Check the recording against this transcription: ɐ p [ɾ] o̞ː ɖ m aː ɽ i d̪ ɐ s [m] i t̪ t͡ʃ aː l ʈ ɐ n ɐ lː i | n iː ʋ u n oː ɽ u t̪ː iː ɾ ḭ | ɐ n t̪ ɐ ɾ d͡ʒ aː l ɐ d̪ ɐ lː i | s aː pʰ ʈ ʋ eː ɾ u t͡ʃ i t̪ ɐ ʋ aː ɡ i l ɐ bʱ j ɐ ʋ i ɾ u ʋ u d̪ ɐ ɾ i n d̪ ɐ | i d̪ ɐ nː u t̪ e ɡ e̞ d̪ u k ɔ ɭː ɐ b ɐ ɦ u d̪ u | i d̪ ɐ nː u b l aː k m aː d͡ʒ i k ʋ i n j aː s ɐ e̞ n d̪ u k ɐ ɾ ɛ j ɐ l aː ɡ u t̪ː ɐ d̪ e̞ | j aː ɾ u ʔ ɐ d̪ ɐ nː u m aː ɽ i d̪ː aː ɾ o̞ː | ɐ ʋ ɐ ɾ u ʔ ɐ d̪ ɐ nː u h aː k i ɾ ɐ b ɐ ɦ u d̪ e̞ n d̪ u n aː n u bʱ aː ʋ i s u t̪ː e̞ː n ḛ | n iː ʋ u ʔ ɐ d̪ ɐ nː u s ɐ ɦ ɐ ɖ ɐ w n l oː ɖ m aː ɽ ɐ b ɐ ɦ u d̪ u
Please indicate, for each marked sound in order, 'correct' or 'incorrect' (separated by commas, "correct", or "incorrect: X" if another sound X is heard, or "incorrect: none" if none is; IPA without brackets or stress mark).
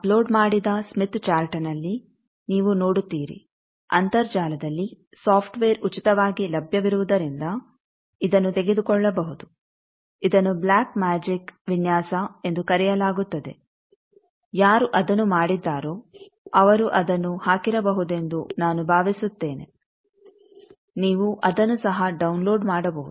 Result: incorrect: l, correct